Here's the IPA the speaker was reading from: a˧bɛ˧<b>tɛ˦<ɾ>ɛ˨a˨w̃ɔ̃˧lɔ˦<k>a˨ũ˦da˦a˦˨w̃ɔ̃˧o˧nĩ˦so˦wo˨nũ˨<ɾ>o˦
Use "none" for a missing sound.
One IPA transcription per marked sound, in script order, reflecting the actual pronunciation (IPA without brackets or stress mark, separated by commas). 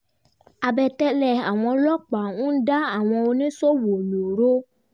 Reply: none, l, k͡p, ɾ